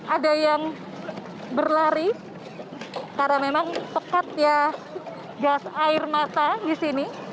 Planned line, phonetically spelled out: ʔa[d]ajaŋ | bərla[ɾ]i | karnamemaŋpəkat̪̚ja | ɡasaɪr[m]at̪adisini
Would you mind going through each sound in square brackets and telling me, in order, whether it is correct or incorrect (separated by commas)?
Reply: correct, correct, correct